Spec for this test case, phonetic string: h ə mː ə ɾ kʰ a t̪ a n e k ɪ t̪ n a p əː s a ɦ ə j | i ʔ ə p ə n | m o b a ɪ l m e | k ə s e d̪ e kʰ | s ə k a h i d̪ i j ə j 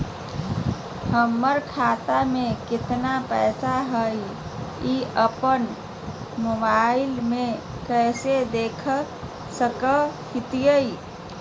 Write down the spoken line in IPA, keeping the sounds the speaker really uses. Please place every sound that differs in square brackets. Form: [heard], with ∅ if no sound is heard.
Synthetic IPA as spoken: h ə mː ə ɾ kʰ a t̪ a [m] e k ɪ t̪ n a p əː s a ɦ ə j | i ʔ ə p ə n | m o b a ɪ l m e | k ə s e d̪ e kʰ | s ə k [ə] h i [t̪] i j ə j